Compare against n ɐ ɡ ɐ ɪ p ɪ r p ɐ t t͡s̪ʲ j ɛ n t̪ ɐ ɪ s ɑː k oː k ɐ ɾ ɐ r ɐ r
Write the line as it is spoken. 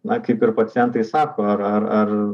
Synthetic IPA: n ɐ k ɐ ɪ p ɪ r p ɐ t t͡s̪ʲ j ɛ n t̪ ɐ ɪ s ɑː k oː ɐ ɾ ɐ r ɐ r